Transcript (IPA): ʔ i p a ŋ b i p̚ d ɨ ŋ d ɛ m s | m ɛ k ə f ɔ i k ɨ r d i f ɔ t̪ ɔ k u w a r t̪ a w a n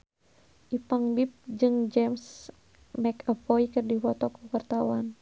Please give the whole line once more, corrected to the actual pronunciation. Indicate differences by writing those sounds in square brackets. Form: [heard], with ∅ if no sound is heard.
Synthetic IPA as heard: ʔ i p a ŋ b i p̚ [d͡ʒ] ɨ ŋ [d͡ʒ] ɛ m s | m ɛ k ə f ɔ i k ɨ r d i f ɔ t̪ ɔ k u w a r t̪ a w a n